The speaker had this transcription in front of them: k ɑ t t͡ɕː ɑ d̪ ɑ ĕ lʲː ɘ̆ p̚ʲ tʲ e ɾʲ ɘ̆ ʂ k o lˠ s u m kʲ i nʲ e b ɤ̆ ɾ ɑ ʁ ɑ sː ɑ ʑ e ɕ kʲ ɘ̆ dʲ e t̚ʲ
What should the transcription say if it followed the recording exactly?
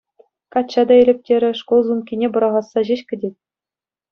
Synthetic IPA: k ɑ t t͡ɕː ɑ d̪ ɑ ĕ lʲ ɘ̆ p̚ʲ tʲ e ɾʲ ɘ̆ ʂ k o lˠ z u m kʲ i nʲ e b ɤ̆ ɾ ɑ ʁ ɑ sː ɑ ʑ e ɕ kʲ ɘ̆ dʲ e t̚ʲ